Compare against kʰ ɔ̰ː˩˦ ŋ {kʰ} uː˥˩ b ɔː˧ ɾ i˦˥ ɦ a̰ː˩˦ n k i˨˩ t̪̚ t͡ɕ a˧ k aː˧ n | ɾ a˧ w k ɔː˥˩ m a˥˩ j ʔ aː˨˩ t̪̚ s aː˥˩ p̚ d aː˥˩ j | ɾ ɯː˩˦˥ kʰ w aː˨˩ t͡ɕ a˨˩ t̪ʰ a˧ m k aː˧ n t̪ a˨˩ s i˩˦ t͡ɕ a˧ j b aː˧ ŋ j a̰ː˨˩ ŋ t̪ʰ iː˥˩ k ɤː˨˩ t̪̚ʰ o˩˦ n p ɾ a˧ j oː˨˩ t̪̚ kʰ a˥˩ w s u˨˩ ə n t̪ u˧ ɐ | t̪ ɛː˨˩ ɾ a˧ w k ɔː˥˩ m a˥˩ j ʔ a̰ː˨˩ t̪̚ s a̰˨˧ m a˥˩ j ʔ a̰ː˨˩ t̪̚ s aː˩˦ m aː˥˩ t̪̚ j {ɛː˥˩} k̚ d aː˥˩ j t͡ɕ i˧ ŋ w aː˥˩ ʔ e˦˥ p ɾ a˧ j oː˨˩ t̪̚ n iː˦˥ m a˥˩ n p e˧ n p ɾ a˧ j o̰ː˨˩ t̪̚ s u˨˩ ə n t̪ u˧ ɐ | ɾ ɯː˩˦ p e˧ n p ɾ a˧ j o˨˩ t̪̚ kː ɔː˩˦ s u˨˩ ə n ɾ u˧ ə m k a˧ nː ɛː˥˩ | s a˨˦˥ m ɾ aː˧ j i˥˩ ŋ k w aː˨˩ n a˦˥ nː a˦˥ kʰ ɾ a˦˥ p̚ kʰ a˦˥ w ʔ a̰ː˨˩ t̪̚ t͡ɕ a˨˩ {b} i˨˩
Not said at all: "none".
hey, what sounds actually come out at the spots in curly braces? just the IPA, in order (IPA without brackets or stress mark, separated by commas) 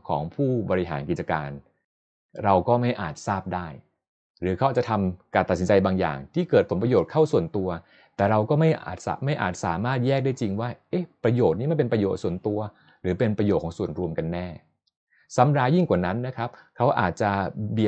pʰ, ɛː˥˩, b